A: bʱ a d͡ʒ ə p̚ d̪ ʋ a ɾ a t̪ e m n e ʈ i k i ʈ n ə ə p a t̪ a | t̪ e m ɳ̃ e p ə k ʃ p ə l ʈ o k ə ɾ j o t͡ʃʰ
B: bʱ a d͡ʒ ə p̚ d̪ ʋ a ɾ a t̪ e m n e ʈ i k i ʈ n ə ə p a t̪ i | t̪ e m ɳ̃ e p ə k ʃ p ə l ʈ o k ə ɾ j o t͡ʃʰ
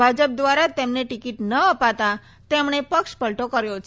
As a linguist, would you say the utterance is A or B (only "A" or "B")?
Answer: A